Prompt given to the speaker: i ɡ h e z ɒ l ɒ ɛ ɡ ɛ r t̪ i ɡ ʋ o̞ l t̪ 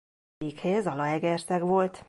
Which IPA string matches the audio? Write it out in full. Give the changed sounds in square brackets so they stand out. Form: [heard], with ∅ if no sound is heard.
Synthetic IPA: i [k] h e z ɒ l ɒ ɛ ɡ ɛ r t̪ [ɛ] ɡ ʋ o̞ l t̪